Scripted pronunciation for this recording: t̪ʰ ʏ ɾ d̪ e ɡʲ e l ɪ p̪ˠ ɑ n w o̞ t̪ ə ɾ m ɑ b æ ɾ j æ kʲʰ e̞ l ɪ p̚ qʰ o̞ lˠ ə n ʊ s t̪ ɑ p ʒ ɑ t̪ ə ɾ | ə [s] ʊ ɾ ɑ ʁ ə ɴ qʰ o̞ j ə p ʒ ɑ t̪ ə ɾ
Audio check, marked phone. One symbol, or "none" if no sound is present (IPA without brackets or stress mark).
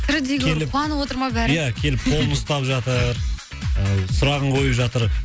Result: s